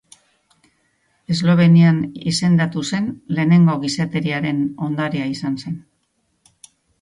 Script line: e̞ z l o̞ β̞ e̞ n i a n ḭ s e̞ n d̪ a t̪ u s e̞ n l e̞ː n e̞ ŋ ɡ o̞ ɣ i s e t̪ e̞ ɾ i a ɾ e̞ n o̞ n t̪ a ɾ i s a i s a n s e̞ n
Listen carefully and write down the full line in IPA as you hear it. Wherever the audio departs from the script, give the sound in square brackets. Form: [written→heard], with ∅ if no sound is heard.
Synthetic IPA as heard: e̞ z l o̞ β̞ e̞ n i a n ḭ s e̞ n d̪ a t̪ u s e̞ n l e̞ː n e̞ ŋ ɡ o̞ ɣ i s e t̪ e̞ ɾ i a ɾ e̞ n o̞ n [t̪→d̪] a ɾ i [s→∅] a i s a n s e̞ n